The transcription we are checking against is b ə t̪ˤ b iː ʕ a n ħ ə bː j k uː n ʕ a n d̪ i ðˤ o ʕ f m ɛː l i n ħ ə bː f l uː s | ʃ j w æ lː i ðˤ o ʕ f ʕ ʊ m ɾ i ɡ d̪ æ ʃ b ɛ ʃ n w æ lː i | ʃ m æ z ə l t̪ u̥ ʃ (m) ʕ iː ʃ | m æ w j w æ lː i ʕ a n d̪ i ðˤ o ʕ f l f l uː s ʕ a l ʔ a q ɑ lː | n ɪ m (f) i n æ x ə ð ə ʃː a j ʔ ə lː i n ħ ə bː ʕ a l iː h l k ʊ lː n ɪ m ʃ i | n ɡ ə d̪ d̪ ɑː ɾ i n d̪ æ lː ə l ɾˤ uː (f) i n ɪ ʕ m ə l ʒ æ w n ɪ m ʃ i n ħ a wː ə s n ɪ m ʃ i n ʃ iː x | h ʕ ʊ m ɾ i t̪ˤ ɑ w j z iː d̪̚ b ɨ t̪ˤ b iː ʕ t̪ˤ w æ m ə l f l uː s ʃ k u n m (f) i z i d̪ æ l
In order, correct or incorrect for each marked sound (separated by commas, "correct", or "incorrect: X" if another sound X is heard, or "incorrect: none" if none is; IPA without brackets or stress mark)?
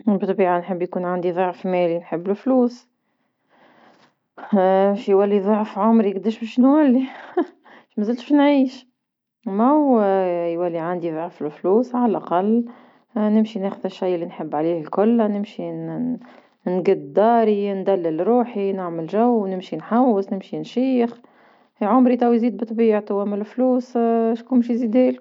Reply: incorrect: n, incorrect: ʃ, incorrect: ħ, incorrect: ʃ